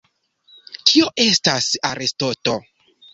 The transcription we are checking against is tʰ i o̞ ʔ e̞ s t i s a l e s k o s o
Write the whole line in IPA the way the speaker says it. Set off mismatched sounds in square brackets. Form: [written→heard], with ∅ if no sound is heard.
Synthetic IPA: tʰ i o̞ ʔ e̞ s t [i→a] s a [l→ɾ] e s [k→t] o [s→t] o